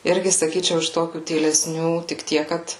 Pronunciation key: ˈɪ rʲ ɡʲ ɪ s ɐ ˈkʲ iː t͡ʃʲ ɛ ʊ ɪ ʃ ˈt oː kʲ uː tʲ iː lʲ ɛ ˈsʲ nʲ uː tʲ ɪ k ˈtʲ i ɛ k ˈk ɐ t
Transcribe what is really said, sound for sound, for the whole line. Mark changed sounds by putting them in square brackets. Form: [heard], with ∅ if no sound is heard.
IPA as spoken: ˈɪ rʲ ɡʲ ɪ s ɐ ˈkʲ iː t͡ʃʲ ɛ ʊ ɪ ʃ ˈt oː kʲ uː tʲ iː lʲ ɛ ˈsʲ nʲ uː tʲ ɪ k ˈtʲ i ɛ k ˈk ɐ t